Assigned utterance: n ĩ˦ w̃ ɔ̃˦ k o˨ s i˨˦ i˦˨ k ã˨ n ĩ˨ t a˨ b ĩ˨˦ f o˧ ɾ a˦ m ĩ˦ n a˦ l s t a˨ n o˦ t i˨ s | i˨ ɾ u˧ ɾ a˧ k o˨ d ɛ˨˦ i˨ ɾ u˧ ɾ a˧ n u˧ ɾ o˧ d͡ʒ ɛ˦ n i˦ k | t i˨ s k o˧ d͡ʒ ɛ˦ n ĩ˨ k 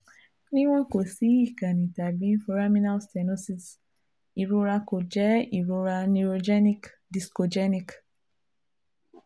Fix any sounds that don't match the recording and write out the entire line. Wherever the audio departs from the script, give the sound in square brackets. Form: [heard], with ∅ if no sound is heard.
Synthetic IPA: n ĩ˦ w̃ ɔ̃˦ k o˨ s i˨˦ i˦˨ k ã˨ n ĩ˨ t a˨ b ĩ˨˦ f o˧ ɾ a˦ m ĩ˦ n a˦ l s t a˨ n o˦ [s] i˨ s | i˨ ɾ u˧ ɾ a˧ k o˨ [d͡ʒ] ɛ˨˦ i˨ ɾ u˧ ɾ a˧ n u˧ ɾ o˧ d͡ʒ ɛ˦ n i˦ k | [d] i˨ s k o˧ d͡ʒ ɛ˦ n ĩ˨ k